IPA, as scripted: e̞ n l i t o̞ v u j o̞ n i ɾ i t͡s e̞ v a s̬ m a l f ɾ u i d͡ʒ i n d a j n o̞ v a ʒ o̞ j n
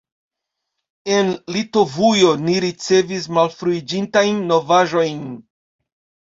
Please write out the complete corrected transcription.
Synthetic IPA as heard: e̞ n l i t o̞ v u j o̞ n i ɾ i t͡s e̞ v i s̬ m a l f ɾ u i d͡ʒ i n t a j nː o̞ v a ʒ o̞ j n